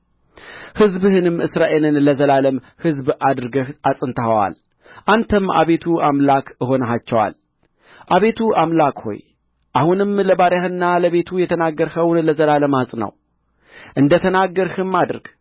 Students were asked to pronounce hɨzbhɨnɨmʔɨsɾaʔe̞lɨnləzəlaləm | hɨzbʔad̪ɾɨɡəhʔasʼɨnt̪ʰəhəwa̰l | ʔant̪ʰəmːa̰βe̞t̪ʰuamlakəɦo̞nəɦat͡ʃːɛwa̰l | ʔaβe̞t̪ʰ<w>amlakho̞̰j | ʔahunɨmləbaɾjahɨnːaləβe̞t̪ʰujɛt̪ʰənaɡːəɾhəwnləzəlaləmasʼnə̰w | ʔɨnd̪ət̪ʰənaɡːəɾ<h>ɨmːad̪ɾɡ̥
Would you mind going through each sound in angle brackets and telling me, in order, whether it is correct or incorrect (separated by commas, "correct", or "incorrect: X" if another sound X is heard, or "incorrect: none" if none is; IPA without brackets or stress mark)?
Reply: incorrect: u, correct